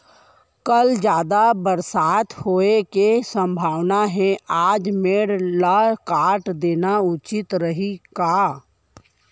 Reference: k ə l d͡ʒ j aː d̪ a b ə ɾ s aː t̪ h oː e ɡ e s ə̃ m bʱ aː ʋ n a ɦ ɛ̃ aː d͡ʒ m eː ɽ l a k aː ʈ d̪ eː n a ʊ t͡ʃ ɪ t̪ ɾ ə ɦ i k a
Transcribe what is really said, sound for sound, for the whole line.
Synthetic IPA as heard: k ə l d͡ʒ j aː d̪ a b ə ɾ s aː t̪ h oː e k e s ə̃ m bʱ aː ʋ n a ɦ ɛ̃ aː d͡ʒ m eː ɽ l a k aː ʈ d̪ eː n a ʊ t͡ʃ ɪ t̪ ɾ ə ɦ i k a